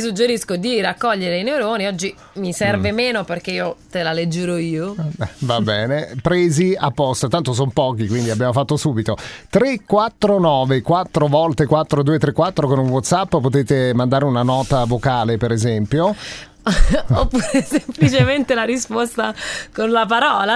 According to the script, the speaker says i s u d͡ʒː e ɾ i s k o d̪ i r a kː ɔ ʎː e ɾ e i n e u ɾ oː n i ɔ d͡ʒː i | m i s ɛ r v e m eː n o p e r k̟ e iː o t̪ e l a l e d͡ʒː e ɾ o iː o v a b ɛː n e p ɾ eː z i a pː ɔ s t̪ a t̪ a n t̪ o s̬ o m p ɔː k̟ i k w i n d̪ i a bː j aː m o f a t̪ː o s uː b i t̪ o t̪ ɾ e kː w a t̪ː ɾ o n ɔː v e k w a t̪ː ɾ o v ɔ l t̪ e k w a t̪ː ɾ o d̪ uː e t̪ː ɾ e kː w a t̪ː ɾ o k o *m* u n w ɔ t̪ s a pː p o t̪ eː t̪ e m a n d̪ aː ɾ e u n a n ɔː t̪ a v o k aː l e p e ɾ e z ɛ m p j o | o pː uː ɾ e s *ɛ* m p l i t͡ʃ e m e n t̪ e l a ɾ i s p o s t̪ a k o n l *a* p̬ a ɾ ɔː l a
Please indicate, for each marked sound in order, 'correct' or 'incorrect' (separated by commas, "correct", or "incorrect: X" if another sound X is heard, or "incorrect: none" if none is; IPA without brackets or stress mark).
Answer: incorrect: n, incorrect: e, correct